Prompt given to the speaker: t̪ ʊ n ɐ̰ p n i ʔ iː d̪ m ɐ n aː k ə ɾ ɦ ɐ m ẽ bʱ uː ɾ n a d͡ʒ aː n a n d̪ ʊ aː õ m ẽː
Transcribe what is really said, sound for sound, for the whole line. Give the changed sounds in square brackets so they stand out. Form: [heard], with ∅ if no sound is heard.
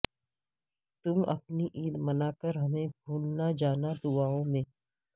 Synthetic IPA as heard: t̪ ʊ [m] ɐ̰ p n i ʔ iː d̪ m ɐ n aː k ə ɾ ɦ ɐ m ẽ bʱ uː [l] n a d͡ʒ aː n a [∅] d̪ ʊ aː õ m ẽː